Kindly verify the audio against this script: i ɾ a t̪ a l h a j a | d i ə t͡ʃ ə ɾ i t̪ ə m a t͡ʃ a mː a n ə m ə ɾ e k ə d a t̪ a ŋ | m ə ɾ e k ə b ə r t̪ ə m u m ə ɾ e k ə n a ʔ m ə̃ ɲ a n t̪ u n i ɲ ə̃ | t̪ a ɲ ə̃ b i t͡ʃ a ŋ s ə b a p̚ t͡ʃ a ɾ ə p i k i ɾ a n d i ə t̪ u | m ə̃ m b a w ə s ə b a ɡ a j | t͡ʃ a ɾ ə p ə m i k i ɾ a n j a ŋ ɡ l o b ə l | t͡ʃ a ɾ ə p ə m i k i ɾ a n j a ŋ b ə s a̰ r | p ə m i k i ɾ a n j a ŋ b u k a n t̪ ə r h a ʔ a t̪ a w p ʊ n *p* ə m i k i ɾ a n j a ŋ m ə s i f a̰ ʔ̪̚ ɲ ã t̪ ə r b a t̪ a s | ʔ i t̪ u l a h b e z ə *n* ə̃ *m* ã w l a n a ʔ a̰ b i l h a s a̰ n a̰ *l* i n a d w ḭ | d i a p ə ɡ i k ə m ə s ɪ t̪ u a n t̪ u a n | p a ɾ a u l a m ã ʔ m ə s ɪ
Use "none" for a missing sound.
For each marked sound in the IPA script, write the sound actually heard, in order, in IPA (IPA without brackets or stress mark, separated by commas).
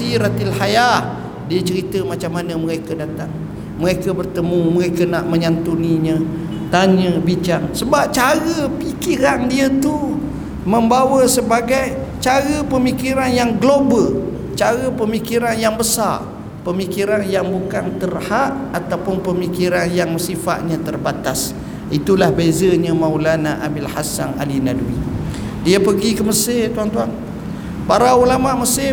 p, ɲ, m, l